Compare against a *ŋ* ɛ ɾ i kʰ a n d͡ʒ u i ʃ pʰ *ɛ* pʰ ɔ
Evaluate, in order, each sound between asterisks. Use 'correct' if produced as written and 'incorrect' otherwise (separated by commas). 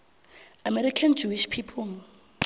incorrect, incorrect